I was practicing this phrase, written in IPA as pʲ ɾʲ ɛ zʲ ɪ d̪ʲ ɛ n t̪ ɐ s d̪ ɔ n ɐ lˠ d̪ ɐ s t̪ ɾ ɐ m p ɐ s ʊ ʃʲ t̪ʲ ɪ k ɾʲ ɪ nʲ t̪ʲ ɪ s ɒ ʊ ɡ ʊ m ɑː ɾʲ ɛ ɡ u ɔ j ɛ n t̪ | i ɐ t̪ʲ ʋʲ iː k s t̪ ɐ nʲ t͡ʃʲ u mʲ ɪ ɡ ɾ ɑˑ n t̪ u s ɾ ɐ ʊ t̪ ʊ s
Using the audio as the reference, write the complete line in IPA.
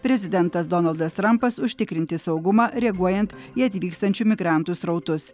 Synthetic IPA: pʲ ɾʲ ɛ zʲ ɪ d̪ʲ ɛ n t̪ ɐ s d̪ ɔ n ɐ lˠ d̪ ɐ s t̪ ɾ ɐ m p ɐ s ʊ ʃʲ t̪ʲ ɪ k ɾʲ ɪ nʲ t̪ʲ ɪ s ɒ ʊ ɡ ʊ m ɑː ɾʲ ɛ ɡ u ɔ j ɛ n t̪ | i ɐ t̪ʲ ʋʲ iː k s t̪ ɐ nʲ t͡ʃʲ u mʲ ɪ ɡ ɾ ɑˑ n t̪ u s ɾ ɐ ʊ t̪ ʊ s

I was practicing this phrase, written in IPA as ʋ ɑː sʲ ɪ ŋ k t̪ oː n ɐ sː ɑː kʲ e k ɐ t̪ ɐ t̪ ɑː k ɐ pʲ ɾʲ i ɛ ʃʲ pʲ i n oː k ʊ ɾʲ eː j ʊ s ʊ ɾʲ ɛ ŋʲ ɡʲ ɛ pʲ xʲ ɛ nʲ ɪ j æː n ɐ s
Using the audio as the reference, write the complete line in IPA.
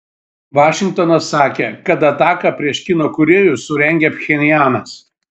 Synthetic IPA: ʋ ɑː ʃʲ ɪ ŋ k t̪ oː n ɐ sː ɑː kʲ e k ɐ t̪ ɐ t̪ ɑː k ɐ pʲ ɾʲ i ɛ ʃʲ kʲ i n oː k ʊ ɾʲ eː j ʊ s ʊ ɾʲ ɛ ŋʲ ɡʲ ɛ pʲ xʲ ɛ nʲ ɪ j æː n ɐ s

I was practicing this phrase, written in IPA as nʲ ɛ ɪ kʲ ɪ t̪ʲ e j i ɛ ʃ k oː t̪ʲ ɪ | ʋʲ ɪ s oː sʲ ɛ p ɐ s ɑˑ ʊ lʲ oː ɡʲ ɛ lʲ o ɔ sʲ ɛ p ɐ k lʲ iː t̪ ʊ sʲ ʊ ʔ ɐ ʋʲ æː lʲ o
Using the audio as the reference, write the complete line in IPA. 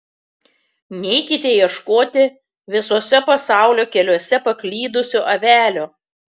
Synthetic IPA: nʲ ɛ ɪ kʲ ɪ t̪ʲ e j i ɛ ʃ k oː t̪ʲ ɪ | ʋʲ ɪ s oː sʲ ɛ p ɐ s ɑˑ ʊ lʲ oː kʲ ɛ lʲ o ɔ sʲ ɛ p ɐ k lʲ iː d̪ ʊ sʲ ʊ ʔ ɐ ʋʲ æː lʲ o

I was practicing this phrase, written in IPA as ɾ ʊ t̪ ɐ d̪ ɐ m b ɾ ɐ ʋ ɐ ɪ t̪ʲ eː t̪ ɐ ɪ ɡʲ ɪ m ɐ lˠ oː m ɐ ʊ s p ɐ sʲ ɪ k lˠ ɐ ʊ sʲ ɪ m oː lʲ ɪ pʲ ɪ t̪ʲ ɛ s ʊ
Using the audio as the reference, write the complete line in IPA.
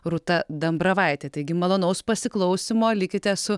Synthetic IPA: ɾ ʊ t̪ ɐ d̪ ɐ m b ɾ ɐ ʋ ɐ ɪ t̪ʲ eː t̪ ɐ ɪ ɡʲ ɪ m ɐ lˠ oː n ɐ ʊ s p ɐ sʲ ɪ k lˠ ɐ ʊ sʲ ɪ m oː lʲ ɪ kʲ ɪ t̪ʲ ɛ s ʊ

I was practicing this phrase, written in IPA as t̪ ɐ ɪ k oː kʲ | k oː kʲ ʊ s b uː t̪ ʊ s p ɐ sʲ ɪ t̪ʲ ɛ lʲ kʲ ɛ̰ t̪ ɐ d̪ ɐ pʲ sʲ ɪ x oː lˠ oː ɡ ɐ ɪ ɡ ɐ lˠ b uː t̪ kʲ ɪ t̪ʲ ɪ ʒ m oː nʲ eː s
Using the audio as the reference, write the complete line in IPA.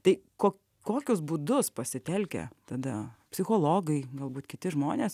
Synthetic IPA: t̪ ɐ ɪ k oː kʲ | k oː kʲ ʊ s b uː d̪ ʊ s p ɐ sʲ ɪ t̪ʲ ɛ lʲ kʲ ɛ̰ t̪ ɐ d̪ ɐ pʲ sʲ ɪ x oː lˠ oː ɡ ɐ ɪ ɡ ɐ lˠ b uː t̪ kʲ ɪ t̪ʲ ɪ ʒ m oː nʲ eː s

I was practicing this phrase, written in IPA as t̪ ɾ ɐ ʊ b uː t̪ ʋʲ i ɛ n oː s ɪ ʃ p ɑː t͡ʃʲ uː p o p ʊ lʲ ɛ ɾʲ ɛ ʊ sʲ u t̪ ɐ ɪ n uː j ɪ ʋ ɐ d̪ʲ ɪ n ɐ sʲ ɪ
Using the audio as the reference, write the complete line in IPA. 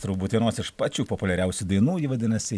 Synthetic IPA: t̪ ɾ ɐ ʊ b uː t̪ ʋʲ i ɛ n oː s ɪ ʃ p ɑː t͡ʃʲ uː p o p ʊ lʲ ɛ ɾʲ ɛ ʊ sʲ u d̪ ɐ ɪ n uː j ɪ ʋ ɐ d̪ʲ ɪ n ɐ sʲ ɪ

